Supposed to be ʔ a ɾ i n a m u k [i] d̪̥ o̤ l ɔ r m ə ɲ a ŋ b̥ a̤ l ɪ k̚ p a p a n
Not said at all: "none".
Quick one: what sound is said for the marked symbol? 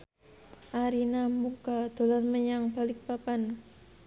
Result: a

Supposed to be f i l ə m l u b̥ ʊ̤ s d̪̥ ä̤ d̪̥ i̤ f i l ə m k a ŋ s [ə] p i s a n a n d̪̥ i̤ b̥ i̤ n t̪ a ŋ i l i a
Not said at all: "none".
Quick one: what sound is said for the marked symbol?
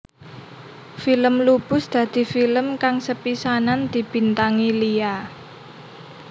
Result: ə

